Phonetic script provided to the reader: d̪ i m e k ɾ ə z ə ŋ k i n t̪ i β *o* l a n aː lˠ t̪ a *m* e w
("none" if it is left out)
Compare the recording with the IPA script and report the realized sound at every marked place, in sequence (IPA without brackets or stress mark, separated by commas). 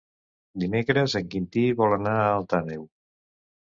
ɔ, n